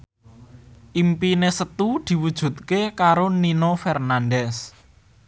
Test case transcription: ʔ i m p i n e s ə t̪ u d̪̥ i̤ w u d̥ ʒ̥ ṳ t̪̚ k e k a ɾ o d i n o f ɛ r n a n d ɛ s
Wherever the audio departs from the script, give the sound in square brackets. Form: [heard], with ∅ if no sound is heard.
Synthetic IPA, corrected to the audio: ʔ i m p i n e s ə t̪ u d̪̥ i̤ w u d̥ ʒ̥ ṳ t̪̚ k e k a ɾ o [n] i n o f ɛ r n a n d ɛ s